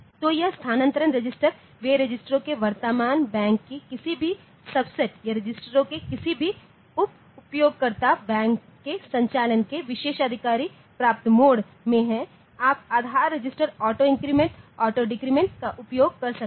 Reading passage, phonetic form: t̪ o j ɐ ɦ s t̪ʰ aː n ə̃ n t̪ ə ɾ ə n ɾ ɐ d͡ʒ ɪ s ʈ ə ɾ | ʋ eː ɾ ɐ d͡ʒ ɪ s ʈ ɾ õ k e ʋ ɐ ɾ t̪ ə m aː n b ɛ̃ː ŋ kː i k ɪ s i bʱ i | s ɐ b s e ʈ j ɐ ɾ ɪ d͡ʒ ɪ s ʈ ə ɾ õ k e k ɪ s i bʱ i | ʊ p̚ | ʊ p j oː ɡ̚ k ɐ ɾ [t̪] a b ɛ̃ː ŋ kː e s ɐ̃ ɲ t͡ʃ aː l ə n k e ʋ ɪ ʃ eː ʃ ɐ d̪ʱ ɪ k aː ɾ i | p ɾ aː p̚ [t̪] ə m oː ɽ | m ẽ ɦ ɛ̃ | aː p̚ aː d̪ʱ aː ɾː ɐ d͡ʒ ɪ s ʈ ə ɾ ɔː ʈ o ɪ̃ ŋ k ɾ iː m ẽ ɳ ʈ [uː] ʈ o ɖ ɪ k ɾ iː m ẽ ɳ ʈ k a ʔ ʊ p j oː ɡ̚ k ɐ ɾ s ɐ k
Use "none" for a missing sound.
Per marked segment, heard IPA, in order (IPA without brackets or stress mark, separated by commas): t̪, t̪, ɔː